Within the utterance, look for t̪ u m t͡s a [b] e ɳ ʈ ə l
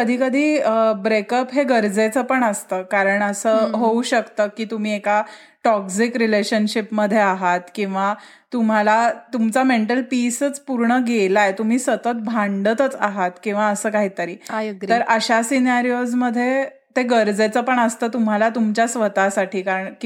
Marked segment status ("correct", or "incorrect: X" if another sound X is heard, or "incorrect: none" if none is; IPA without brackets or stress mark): incorrect: m